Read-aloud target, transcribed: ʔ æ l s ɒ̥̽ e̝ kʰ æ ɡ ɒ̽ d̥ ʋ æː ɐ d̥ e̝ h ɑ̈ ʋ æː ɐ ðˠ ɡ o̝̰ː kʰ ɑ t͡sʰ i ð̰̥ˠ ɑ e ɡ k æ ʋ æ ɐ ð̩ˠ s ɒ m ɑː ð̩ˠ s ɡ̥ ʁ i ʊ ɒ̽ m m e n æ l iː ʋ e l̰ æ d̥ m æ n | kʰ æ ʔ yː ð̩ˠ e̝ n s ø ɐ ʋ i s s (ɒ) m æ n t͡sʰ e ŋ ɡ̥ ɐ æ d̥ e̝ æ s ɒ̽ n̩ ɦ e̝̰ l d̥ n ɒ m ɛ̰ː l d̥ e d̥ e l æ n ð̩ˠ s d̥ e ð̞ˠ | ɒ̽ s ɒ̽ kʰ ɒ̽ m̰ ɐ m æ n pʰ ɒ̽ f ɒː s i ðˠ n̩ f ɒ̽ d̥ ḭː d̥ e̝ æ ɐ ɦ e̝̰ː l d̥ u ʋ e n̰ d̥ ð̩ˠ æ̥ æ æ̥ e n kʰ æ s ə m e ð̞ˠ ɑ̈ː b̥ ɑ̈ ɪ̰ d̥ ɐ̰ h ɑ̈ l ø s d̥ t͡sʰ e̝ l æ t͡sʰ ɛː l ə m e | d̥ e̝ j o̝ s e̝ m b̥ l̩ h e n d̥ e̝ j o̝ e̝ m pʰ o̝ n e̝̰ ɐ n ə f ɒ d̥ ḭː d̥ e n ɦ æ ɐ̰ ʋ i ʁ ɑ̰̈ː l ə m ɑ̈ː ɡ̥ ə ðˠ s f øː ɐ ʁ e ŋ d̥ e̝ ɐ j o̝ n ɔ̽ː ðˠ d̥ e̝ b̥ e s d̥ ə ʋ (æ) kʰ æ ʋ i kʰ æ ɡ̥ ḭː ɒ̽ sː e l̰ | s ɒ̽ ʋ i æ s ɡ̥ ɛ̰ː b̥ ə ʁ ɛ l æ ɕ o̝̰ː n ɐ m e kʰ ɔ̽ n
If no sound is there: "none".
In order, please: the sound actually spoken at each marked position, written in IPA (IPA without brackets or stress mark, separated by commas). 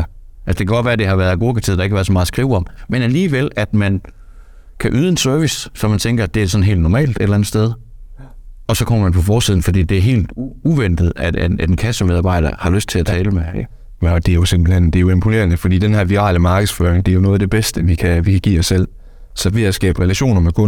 ɒ, i